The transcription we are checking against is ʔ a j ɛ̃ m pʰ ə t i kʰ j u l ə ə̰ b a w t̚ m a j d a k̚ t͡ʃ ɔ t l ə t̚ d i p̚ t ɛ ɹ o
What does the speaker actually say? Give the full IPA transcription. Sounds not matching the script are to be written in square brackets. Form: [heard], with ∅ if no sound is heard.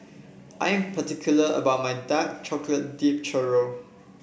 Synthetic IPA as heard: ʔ a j ɛ̃ m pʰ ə t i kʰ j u l ə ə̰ b a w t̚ m a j d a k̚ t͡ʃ ɔ [k] l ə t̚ d i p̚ [t͡ʃ] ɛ ɹ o

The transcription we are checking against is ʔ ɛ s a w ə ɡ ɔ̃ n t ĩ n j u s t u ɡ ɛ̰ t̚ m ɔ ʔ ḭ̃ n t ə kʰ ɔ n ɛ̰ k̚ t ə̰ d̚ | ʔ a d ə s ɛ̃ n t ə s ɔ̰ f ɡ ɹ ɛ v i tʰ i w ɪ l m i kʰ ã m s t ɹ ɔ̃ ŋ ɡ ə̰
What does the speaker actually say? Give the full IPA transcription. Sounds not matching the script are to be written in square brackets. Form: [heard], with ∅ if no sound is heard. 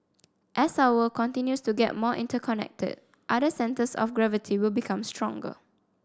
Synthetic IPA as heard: ʔ ɛ s a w ə [k] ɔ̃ n t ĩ n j u s t u ɡ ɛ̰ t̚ m ɔ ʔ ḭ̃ n t ə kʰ ɔ n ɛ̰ k̚ t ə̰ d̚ | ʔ a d ə s ɛ̃ n t ə s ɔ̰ f ɡ ɹ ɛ v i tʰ i w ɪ l [b] i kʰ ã m s t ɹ ɔ̃ ŋ ɡ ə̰

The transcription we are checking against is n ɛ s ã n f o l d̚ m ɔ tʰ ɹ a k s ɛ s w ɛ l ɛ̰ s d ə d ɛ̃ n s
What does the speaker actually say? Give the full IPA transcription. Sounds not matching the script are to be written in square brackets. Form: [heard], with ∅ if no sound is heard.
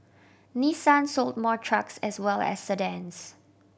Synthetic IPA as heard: n [i] s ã n [s] o l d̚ m ɔ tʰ ɹ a k s ɛ s w ɛ l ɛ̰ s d ə d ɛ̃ n s

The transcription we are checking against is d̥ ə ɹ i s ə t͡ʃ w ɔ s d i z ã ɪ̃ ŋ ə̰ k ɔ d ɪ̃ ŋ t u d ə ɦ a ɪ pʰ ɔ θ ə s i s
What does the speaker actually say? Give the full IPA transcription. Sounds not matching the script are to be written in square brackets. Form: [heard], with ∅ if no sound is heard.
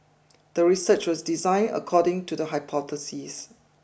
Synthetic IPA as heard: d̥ ə ɹ i s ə t͡ʃ w ɔ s d i z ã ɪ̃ [n] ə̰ [kʰ] ɔ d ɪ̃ ŋ t u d ə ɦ a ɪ pʰ ɔ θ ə s i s

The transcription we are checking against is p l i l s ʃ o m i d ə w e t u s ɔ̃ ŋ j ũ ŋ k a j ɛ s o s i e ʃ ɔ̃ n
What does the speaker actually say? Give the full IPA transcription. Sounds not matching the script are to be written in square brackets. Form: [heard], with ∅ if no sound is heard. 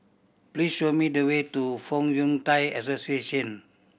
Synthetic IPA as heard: p l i [∅] s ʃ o m i d ə w e t u [f] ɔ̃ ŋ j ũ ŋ [t] a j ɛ s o s i e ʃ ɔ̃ n

